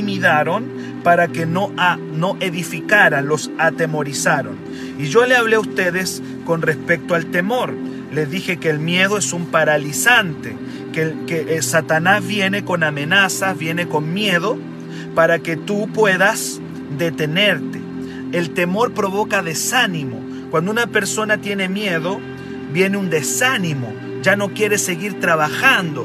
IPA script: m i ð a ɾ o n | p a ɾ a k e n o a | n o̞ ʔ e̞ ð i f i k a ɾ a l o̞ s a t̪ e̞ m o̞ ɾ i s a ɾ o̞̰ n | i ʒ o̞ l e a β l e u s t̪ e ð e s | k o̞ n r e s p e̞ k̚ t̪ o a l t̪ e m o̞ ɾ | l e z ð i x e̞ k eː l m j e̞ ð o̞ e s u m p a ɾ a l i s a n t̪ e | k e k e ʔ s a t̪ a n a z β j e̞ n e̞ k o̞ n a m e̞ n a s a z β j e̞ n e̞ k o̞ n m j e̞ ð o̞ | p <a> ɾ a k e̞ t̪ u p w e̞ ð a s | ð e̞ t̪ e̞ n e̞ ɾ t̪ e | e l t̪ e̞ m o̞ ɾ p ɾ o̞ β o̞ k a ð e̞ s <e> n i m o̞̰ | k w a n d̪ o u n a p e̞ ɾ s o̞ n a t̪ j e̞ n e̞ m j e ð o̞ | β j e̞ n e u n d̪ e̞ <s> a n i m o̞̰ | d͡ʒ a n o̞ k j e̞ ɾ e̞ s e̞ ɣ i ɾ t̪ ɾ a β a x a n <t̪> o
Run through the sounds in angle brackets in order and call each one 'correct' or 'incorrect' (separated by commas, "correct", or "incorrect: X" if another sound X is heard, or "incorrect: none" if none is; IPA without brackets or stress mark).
correct, incorrect: a, correct, incorrect: d̪